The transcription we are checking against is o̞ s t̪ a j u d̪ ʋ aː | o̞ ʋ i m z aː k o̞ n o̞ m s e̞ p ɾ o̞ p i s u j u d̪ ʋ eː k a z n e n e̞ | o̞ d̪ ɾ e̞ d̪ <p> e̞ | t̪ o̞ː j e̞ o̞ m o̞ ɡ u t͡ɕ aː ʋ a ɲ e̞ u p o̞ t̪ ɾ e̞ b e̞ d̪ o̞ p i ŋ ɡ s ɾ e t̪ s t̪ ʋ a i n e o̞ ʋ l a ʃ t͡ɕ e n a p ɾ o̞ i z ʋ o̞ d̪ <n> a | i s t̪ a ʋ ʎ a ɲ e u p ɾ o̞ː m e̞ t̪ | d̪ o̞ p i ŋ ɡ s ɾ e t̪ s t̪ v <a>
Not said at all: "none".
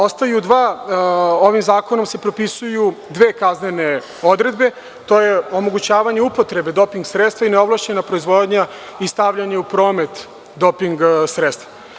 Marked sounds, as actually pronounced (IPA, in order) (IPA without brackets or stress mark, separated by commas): b, ɲ, a